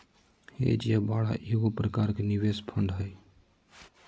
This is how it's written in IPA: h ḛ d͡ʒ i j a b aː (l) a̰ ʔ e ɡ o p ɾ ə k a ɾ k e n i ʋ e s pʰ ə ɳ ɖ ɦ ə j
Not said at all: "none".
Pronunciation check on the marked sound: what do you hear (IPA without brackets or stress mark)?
ɽ